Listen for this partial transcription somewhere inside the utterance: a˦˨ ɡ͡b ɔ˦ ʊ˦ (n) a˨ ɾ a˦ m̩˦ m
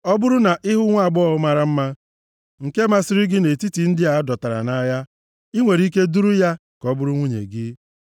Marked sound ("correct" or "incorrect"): incorrect